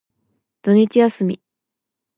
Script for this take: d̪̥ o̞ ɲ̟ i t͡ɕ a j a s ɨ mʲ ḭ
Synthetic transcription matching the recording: d̪̥ o̞ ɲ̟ i t͡ɕ i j a s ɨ mʲ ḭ